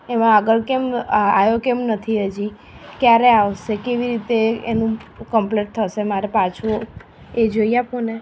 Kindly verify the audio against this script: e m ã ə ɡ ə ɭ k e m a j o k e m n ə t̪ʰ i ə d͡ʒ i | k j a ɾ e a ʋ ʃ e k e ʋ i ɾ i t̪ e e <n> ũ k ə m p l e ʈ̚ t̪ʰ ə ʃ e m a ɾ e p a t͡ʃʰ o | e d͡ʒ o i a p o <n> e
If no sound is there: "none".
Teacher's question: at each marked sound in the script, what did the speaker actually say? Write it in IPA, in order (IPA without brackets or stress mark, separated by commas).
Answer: n, n